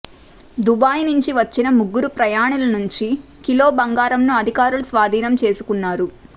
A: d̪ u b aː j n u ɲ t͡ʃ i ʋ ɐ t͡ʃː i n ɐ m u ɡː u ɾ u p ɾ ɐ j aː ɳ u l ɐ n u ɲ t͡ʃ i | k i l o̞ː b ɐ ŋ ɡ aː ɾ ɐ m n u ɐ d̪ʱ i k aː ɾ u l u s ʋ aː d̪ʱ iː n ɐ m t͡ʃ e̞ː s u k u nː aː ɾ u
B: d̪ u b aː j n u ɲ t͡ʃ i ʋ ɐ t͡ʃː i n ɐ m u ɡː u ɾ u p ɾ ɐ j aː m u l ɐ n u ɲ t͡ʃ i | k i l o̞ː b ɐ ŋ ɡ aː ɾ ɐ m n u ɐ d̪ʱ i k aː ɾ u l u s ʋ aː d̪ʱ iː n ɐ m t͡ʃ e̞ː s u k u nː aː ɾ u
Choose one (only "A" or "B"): A